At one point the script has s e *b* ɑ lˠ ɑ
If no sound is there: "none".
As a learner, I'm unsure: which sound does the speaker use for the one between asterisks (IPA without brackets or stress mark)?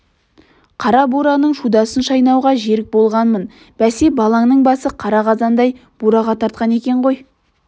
b